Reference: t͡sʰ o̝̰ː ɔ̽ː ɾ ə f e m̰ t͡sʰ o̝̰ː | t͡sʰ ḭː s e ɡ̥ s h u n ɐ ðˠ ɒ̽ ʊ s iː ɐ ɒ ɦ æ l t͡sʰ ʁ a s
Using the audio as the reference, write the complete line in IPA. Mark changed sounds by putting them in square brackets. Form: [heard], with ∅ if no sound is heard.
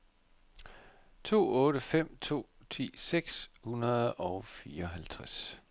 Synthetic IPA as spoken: t͡sʰ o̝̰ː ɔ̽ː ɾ ə f e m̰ t͡sʰ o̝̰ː | t͡sʰ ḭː s e ɡ̥ s h u n ɐ ðˠ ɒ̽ ʊ [f] iː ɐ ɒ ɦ æ l t͡sʰ ʁ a s